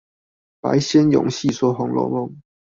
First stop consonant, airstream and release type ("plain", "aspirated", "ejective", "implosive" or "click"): plain